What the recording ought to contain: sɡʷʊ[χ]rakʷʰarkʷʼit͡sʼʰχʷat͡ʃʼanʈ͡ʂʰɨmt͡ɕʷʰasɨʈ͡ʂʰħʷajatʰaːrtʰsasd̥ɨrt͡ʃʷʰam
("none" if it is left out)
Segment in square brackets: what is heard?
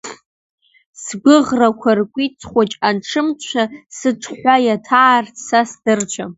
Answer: ʁ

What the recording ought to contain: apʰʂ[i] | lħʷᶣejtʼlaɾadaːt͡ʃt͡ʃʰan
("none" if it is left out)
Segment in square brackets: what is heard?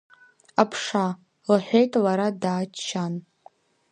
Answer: a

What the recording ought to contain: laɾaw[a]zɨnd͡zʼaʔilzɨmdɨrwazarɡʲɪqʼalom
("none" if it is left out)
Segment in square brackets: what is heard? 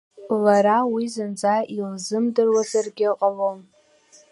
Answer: i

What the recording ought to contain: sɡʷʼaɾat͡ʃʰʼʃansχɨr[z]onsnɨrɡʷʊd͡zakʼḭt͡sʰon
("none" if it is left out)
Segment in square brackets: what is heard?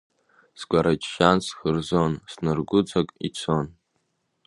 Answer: z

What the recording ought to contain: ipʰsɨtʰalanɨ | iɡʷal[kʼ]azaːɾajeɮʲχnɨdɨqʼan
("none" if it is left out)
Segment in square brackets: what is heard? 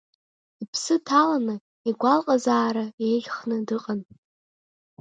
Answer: qʼ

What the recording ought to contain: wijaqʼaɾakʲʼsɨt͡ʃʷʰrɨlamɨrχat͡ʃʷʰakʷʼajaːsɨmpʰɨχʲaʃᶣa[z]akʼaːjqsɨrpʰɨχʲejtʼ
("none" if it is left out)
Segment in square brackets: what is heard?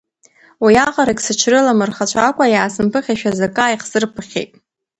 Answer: z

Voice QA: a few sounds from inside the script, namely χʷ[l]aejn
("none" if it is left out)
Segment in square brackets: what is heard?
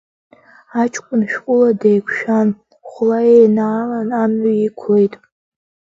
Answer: l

